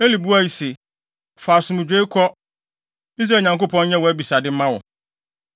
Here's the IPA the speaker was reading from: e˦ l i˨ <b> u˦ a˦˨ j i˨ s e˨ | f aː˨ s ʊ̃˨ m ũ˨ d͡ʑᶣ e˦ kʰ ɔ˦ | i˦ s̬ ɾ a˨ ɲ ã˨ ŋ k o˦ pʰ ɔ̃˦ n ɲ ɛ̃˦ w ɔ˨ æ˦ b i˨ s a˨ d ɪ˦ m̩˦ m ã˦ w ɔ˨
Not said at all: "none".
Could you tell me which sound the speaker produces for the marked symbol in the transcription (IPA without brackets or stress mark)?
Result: b